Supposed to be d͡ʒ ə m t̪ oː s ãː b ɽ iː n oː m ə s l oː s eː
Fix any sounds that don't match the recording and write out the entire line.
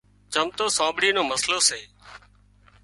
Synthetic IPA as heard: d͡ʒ ə m t̪ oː s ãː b ɽ iː n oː m ə s l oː s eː